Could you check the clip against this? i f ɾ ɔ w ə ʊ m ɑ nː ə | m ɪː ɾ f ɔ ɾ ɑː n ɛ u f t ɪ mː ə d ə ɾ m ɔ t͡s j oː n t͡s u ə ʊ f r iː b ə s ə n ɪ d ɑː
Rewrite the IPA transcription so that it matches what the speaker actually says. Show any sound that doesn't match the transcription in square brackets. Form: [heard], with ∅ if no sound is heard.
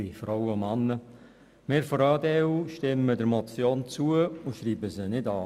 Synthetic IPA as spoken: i f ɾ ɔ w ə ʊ m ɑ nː ə | m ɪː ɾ f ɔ ɾ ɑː [d] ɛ u [ʃ] t ɪ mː ə d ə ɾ m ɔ t͡s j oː n t͡s u ə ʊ [ʃ] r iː b ə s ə n ɪ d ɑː